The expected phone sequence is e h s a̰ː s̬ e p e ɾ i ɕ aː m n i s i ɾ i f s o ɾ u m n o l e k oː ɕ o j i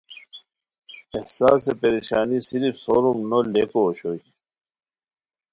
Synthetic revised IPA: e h s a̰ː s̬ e p e ɾ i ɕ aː n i s i ɾ i f s o ɾ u m n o l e k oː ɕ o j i